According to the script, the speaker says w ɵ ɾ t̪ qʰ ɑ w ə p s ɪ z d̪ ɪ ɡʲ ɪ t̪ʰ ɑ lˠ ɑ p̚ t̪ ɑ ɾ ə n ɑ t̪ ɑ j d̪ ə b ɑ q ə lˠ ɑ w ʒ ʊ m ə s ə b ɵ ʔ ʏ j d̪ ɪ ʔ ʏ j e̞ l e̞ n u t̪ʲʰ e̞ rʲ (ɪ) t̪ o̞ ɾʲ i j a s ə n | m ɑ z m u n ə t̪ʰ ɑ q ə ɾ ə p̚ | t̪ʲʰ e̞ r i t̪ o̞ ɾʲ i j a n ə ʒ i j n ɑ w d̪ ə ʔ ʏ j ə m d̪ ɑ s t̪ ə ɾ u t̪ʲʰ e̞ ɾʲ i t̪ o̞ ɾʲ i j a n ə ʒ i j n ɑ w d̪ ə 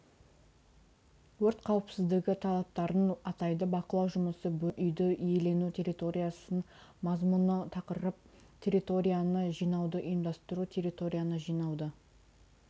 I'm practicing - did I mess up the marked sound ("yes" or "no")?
yes